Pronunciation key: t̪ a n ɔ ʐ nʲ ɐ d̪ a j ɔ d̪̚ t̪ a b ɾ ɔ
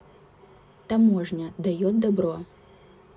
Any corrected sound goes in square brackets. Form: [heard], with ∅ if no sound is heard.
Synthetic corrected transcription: t̪ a [m] ɔ ʐ nʲ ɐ d̪ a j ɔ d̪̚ [d̪] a b ɾ ɔ